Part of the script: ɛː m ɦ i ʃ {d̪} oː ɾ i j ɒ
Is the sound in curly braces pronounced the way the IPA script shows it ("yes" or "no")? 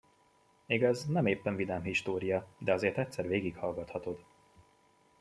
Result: no